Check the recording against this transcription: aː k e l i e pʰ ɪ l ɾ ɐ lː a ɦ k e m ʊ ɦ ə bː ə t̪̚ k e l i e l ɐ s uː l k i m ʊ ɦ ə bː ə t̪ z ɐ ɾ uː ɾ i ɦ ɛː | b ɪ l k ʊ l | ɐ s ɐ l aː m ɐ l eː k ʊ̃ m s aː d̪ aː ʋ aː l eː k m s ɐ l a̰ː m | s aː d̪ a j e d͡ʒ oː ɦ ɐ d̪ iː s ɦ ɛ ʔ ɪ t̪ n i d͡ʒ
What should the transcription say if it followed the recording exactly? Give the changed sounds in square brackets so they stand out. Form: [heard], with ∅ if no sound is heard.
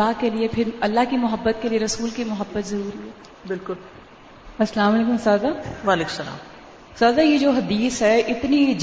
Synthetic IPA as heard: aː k e l i e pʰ ɪ [∅] ɾ ɐ lː a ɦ k [i] m ʊ ɦ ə bː ə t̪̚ k e l i e [ɾ] ɐ s uː l k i m ʊ ɦ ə bː ə t̪ z ɐ ɾ uː ɾ i ɦ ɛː | b ɪ l k ʊ l | ɐ s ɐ l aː m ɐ l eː k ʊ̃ m s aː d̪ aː ʋ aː l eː k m s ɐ l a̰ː m | s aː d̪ a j e d͡ʒ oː ɦ ɐ d̪ iː s ɦ ɛ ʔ ɪ t̪ n i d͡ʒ